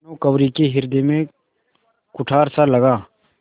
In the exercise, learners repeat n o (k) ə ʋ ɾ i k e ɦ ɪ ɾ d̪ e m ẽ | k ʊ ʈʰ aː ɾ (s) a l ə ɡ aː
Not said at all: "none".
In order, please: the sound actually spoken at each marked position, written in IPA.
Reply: k, s

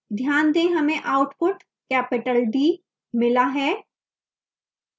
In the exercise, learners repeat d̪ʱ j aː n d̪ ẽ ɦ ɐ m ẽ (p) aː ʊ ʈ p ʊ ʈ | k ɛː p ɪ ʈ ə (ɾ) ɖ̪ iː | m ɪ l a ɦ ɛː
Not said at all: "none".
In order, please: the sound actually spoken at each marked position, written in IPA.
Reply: ʔ, l

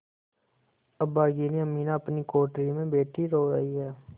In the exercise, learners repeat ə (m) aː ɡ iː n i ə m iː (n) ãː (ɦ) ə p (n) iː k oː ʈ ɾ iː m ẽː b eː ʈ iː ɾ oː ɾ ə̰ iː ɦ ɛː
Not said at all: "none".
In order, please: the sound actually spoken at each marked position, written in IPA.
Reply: b, n, none, n

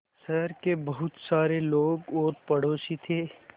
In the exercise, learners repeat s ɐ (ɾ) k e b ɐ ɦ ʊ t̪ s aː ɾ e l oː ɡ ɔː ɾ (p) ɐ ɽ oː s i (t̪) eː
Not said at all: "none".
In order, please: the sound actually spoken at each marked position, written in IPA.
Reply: ɾ, p, t̪ʰ

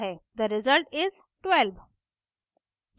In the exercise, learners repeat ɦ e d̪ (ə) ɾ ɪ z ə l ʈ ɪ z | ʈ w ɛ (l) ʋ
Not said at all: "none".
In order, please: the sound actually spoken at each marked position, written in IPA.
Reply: ə, l

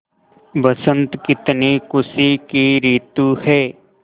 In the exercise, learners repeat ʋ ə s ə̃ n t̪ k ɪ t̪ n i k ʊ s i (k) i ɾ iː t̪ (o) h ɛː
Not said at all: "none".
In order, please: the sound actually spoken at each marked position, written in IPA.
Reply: k, u

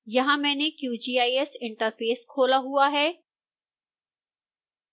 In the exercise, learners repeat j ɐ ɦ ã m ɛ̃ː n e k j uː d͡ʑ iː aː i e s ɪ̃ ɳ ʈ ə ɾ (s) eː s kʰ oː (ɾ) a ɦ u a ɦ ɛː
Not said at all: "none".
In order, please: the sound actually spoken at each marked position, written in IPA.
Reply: f, l

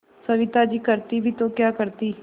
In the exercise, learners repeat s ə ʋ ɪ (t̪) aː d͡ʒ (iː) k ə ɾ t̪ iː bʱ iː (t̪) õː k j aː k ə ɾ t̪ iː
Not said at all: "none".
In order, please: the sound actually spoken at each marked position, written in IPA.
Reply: t̪, iː, t̪

